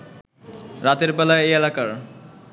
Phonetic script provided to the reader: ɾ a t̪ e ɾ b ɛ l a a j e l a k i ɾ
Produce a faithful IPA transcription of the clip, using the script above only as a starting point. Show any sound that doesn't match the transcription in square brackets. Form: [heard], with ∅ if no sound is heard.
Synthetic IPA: ɾ a t̪ e ɾ b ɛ l a [e] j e l a k [a] ɾ